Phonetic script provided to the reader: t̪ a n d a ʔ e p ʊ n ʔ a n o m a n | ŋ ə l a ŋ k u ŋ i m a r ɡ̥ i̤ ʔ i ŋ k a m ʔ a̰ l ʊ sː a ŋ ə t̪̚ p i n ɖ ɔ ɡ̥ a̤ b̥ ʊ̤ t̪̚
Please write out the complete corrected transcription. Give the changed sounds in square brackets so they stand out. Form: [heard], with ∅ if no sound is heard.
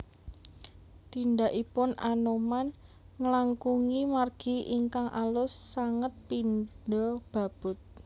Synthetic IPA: t̪ [i] n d a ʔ [i] p ʊ n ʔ a n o m a n | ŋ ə l a ŋ k u ŋ i m a r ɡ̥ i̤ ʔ i ŋ k a [ŋ] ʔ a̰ l ʊ sː a ŋ ə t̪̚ p i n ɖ ɔ [b̥] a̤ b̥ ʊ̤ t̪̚